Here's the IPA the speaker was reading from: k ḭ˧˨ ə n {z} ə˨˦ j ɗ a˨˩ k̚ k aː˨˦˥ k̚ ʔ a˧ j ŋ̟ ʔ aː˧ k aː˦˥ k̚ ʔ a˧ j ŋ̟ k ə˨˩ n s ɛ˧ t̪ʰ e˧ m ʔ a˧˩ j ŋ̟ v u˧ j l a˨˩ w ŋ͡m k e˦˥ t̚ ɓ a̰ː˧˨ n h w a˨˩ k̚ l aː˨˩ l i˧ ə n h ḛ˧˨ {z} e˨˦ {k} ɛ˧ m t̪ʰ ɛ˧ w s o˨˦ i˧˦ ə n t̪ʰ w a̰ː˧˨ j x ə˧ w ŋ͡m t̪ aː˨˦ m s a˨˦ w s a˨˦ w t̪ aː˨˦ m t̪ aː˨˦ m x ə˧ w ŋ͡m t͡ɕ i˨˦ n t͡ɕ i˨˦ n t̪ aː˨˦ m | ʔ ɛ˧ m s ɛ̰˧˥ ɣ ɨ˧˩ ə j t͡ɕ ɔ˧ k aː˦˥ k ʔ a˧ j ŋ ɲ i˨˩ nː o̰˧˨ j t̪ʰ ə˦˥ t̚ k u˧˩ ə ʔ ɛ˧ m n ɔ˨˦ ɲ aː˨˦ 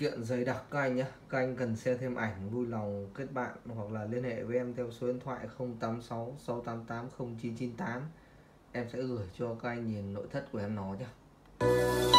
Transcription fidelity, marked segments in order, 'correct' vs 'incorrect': correct, incorrect: v, incorrect: ʔ

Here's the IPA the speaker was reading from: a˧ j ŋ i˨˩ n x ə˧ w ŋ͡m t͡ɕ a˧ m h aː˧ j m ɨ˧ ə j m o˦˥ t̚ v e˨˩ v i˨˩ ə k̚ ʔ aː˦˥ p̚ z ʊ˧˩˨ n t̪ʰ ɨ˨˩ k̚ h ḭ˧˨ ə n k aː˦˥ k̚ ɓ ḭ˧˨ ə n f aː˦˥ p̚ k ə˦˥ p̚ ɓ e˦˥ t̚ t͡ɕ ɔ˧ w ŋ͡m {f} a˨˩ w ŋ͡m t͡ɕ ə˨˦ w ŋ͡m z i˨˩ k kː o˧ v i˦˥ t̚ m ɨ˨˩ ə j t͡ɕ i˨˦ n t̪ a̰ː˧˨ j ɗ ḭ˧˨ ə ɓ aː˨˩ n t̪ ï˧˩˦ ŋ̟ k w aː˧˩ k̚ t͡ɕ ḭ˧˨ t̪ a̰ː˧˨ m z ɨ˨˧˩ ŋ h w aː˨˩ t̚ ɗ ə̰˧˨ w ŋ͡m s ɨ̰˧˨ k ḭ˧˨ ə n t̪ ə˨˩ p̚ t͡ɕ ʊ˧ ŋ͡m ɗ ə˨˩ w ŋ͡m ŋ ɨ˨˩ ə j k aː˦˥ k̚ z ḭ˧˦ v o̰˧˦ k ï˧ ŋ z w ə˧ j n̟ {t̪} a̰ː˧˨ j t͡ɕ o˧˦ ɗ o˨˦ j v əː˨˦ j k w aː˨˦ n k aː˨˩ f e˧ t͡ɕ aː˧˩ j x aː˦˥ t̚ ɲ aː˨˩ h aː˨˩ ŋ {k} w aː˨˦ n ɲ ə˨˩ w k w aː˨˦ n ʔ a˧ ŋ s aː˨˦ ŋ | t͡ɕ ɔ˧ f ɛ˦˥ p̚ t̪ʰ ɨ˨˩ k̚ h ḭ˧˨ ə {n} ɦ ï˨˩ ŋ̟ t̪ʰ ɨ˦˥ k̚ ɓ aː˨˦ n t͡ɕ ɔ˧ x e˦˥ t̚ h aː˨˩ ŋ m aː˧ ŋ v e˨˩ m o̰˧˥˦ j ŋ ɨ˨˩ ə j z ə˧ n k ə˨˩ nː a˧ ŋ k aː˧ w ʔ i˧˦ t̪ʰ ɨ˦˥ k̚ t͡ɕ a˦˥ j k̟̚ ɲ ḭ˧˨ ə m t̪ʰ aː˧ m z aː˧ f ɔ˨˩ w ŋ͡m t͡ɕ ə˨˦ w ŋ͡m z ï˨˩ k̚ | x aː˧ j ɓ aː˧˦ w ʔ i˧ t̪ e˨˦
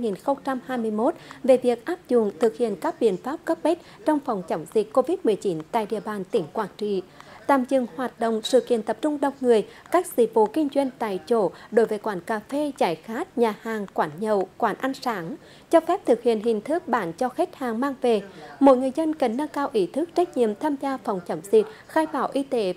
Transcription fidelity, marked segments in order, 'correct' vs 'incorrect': correct, correct, correct, correct

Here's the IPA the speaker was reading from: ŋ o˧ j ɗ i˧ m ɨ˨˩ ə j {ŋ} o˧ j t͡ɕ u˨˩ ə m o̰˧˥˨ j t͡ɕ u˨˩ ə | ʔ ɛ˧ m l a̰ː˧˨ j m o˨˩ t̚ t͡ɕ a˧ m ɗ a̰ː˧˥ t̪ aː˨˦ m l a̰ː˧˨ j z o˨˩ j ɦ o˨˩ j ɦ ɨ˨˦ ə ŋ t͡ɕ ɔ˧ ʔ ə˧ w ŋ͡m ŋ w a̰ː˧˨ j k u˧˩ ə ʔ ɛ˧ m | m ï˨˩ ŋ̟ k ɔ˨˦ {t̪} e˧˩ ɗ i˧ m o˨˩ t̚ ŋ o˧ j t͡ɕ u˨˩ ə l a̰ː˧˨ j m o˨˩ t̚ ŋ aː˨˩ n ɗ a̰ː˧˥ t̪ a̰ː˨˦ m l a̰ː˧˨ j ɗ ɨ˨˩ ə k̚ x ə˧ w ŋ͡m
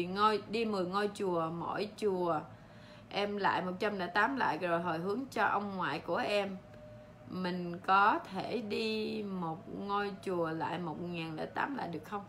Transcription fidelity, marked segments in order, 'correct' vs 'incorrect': correct, incorrect: t̪ʰ

